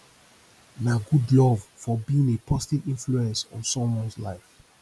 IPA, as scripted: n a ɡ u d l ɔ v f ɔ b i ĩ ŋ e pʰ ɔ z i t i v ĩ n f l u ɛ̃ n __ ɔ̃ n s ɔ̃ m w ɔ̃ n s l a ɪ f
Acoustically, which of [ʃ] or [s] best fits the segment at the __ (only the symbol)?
s